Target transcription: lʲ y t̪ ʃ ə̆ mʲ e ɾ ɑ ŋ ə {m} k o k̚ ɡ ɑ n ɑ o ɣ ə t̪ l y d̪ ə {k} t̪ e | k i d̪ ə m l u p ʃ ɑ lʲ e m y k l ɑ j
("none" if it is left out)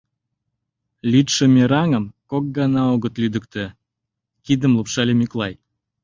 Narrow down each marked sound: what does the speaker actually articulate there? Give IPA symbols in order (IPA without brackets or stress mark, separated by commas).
m, k